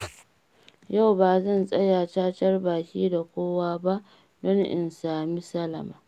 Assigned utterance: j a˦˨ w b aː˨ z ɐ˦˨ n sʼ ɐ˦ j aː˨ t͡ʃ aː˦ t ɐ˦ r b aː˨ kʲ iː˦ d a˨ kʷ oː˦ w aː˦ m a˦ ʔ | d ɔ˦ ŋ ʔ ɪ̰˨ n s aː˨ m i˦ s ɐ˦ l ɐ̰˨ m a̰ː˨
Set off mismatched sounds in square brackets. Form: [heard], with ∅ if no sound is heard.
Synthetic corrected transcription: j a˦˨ w b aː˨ z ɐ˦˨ n sʼ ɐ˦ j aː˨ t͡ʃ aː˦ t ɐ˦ r b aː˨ kʲ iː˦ d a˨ kʷ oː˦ w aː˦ [b] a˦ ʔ | d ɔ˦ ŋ ʔ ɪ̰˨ n s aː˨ m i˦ s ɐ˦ l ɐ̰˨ m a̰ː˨